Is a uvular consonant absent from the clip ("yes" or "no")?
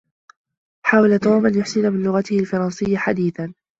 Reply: yes